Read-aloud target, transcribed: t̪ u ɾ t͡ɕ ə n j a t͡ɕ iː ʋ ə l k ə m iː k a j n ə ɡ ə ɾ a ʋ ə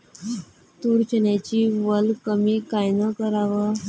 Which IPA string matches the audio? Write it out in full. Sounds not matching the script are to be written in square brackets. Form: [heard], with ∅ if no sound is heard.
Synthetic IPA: t̪ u ɾ t͡ɕ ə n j a t͡ɕ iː ʋ ə l k ə m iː k a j n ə [k] ə ɾ a ʋ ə